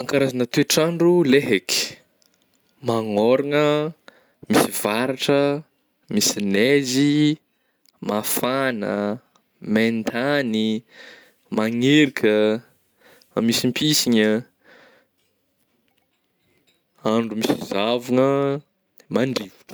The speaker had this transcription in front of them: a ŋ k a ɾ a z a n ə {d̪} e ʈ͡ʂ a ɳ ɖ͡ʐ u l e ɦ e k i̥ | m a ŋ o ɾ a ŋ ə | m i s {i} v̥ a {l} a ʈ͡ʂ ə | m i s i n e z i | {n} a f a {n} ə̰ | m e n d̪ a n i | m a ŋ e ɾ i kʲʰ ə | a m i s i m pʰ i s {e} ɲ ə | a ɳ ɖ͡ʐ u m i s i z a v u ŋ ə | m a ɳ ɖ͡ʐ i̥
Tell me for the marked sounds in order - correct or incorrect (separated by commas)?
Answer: incorrect, correct, incorrect, incorrect, correct, incorrect